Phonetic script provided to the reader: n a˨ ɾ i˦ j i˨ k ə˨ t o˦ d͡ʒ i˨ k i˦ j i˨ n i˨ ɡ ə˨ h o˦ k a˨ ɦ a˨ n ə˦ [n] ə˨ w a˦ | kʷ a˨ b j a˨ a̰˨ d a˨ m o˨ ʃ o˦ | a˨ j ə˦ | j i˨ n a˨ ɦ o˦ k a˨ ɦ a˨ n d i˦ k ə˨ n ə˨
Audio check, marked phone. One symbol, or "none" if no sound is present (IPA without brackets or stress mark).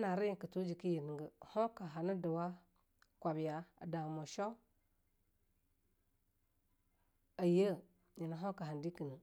d